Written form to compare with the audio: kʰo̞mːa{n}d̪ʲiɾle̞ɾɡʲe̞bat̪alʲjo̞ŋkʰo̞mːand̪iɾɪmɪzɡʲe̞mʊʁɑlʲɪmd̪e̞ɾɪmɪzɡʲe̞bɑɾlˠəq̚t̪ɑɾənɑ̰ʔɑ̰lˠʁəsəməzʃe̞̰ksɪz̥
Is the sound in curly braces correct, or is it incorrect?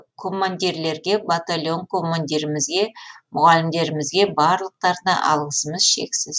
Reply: correct